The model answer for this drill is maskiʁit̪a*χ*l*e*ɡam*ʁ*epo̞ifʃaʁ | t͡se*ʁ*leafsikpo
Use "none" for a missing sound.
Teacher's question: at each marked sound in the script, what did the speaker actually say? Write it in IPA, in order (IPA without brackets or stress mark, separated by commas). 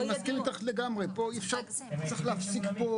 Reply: χ, e, ʁ, χ